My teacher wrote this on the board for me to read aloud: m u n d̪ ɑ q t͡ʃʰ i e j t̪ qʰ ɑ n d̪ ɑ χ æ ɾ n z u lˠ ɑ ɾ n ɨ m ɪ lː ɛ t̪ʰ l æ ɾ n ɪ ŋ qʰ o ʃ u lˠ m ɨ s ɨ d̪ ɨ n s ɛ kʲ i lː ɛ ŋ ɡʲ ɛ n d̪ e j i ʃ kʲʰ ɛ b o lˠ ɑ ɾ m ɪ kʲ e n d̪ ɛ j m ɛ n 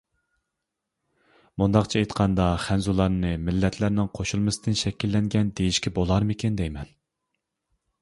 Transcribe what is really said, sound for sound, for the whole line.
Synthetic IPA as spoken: m u n d̪ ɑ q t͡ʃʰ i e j t̪ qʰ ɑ n d̪ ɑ χ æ n z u lˠ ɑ ɾ n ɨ m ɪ lː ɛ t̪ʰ l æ ɾ n ɪ ŋ qʰ o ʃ u lˠ m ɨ s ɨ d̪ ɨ n ʃ ɛ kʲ i lː ɛ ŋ ɡʲ ɛ n d̪ e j i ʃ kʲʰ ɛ b o lˠ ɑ ɾ m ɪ kʲ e n d̪ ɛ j m ɛ n

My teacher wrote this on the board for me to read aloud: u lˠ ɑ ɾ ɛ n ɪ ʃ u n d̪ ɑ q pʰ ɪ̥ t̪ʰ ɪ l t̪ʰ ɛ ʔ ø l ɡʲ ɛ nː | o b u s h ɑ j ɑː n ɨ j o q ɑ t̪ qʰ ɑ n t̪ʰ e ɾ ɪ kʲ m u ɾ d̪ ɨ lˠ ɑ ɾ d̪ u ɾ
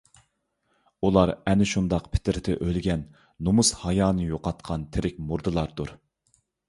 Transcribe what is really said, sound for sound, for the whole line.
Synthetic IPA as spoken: u lˠ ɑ ɾ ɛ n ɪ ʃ u n d̪ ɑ q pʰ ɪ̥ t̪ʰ ɪ ɾ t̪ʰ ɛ ʔ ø l ɡʲ ɛ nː | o m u s h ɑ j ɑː n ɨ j o q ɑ t̪ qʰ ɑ n t̪ʰ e ɾ ɪ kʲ m u ɾ d̪ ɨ lˠ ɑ ɾ d̪ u ɾ

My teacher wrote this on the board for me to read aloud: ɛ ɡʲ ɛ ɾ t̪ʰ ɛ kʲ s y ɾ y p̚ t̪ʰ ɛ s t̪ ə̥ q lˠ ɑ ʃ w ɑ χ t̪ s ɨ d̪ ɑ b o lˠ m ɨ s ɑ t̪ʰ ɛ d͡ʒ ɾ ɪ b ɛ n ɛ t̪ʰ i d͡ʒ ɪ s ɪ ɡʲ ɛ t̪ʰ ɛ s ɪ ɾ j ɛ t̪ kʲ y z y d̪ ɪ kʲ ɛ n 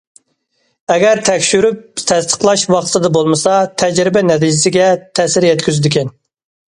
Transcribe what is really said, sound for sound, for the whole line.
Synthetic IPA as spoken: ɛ ɡʲ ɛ ɾ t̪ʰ ɛ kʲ ʃ y ɾ y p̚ t̪ʰ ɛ s t̪ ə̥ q lˠ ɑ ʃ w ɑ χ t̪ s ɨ d̪ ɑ b o lˠ m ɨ s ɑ t̪ʰ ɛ d͡ʒ ɾ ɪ b ɛ n ɛ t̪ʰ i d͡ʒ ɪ s ɪ ɡʲ ɛ t̪ʰ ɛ s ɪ ɾ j ɛ t̪ kʲ y z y d̪ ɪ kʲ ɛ n

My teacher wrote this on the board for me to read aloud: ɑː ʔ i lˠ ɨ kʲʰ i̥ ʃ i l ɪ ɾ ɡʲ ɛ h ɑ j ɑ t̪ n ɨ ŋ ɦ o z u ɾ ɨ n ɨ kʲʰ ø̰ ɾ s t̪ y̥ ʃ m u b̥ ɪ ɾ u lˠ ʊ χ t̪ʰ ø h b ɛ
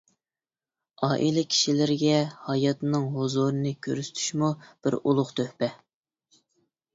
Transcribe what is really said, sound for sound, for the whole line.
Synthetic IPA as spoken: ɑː ʔ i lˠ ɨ kʲʰ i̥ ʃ i l ɪ ɾ ɡʲ ɛ h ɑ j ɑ t̪ n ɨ ŋ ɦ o z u ɾ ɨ n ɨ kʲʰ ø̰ ɾ s t̪ʰ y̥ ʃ m u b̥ ɪ ɾ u lˠ ʊ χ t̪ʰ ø h p ɛ

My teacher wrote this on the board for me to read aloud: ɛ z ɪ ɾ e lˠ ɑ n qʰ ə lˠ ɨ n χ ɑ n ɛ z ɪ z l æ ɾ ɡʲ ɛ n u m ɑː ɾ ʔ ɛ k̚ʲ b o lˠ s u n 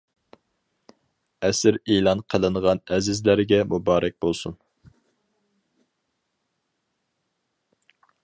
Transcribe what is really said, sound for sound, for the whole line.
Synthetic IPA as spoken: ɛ s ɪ ɾ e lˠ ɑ n qʰ ə lˠ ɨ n ʁ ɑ n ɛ z ɪ z l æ ɾ ɡʲ ɛ m u b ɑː ɾ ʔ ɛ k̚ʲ b o lˠ s u n

